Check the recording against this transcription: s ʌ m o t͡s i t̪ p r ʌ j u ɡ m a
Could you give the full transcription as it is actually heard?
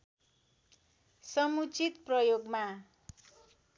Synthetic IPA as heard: s ʌ m u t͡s i t̪ p r ʌ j o ɡ m a